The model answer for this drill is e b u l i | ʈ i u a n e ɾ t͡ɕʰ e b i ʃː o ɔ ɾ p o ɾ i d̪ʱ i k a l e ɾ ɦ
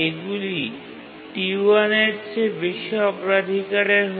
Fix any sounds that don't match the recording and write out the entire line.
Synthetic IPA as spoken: e ɡ u l i | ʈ i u a n e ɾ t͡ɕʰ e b i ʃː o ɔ p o ɾ a d̪ʱ i k a ɾ e ɾ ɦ